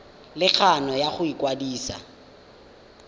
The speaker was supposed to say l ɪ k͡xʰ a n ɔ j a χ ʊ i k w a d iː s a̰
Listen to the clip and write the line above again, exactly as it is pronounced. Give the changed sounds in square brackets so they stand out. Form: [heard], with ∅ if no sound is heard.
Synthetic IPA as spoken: l ɪ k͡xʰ a n ɔ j a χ ʊ i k w a d iː s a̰